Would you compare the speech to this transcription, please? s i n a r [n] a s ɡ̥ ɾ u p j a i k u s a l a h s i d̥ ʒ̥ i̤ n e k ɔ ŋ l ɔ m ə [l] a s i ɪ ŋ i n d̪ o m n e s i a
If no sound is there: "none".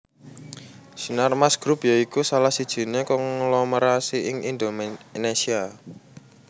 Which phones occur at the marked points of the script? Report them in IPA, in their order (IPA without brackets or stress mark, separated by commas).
m, ɾ